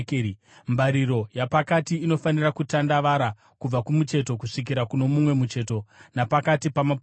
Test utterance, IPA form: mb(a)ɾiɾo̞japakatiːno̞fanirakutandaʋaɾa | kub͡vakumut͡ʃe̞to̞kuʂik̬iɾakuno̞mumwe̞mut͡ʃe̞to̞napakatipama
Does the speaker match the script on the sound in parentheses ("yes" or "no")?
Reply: yes